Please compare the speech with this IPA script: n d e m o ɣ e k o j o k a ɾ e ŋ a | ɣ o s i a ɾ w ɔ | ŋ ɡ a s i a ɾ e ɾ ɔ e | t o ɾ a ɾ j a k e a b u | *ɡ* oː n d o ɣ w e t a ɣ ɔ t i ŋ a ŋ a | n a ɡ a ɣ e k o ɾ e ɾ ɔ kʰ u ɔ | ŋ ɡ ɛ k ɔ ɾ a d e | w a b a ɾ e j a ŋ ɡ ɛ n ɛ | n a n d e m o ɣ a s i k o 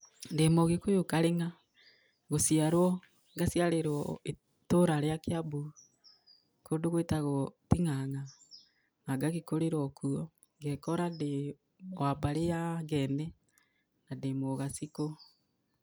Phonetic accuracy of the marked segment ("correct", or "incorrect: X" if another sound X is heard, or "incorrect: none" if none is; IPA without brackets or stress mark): incorrect: k